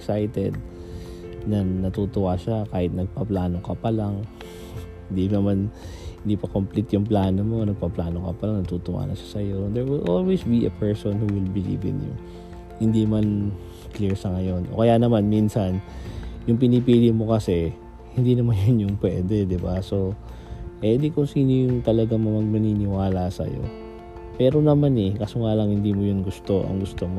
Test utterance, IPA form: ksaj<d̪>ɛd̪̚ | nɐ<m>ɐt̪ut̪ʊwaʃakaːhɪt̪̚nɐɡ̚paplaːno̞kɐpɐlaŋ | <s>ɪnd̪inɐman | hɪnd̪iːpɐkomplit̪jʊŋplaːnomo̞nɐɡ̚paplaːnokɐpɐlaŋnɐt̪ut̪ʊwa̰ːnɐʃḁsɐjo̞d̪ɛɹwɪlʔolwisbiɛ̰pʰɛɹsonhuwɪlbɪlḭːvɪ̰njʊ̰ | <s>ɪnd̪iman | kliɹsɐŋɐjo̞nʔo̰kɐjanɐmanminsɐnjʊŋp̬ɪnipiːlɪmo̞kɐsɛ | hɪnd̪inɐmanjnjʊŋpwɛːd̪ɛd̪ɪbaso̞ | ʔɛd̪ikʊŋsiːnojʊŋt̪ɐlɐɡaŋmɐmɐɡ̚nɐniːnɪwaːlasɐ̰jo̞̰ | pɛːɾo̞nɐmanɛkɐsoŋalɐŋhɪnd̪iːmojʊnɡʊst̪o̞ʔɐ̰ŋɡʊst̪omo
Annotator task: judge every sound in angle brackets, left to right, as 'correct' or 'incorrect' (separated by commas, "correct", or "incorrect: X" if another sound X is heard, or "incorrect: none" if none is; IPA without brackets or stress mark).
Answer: incorrect: t̪, incorrect: n, incorrect: h, incorrect: h